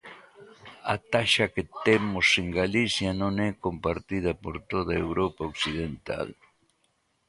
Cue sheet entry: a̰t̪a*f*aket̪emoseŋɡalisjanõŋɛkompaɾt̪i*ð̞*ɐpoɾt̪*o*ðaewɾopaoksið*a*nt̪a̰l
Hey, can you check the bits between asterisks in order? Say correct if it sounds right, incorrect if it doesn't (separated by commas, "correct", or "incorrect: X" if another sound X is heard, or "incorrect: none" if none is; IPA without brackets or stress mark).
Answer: incorrect: ʃ, correct, correct, incorrect: e